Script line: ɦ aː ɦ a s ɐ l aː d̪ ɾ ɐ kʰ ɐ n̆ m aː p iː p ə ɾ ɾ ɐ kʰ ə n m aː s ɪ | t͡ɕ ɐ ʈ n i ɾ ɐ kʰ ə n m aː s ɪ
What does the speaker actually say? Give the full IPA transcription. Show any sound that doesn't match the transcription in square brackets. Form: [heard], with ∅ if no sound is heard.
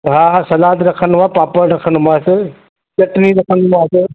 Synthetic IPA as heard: ɦ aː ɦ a s ɐ l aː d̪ ɾ ɐ kʰ [ə] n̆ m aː p [aː] p ə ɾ ɾ ɐ kʰ ə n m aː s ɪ | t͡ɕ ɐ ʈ n i ɾ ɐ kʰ ə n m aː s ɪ